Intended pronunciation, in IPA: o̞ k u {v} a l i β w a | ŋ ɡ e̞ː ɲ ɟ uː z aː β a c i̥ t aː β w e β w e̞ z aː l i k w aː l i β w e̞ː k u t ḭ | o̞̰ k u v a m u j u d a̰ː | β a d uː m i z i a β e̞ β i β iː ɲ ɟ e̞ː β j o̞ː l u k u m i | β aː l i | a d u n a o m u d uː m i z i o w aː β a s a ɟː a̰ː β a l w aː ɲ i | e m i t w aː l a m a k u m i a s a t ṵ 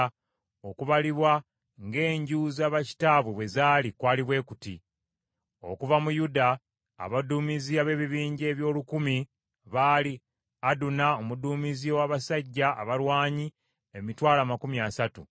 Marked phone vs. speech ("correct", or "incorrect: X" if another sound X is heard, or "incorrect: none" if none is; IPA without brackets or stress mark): incorrect: β